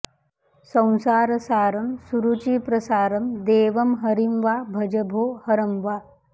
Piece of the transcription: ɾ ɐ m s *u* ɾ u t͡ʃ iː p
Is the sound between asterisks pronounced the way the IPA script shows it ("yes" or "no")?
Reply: yes